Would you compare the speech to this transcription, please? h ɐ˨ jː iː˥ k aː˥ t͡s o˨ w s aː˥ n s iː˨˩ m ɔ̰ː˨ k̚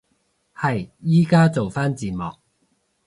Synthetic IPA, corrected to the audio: h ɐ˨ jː iː˥ k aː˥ t͡s o˨ w f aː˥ n t͡s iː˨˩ m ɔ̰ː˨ k̚